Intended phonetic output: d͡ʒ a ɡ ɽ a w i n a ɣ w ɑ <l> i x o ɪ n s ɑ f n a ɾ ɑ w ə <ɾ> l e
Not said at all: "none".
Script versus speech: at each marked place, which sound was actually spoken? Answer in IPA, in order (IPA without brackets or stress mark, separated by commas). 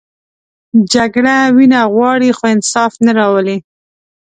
ɽ, none